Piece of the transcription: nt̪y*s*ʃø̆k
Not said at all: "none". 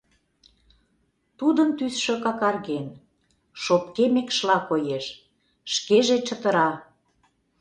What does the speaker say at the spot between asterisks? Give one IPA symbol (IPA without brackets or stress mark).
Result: s